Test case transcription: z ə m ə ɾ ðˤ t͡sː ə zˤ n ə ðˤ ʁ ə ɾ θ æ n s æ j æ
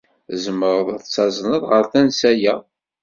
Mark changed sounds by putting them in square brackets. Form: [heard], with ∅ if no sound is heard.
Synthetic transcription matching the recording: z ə m ə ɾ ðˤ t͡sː [ɑ] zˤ n ə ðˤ ʁ ə ɾ θ æ n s æ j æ